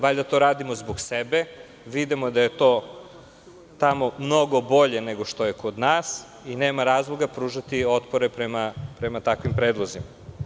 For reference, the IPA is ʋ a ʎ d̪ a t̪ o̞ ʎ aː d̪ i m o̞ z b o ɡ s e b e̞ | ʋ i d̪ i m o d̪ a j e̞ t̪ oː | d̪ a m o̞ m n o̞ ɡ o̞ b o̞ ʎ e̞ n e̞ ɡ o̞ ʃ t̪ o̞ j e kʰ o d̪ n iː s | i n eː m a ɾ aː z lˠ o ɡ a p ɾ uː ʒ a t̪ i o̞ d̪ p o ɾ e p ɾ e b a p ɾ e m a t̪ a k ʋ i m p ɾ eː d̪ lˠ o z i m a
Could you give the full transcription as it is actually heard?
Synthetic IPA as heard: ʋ a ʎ d̪ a t̪ o̞ ɾ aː d̪ i m o̞ z b o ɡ s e b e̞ | ʋ i d̪ i m o d̪ a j e̞ t̪ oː | t̪ a m o̞ m n o̞ ɡ o̞ b o̞ ʎ e̞ n e̞ ɡ o̞ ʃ t̪ o̞ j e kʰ o d̪ n aː s | i n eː m a ɾ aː z lˠ o ɡ a p ɾ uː ʒ a t̪ i o̞ t̪ p o ɾ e p ɾ e m a p ɾ e m a t̪ a k ʋ i m p ɾ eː d̪ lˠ o z i m a